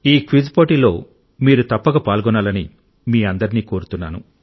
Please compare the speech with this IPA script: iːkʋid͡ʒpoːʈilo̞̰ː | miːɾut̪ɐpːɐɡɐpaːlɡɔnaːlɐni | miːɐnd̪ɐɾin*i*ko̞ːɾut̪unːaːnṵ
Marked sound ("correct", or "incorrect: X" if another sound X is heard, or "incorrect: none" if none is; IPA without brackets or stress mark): incorrect: iː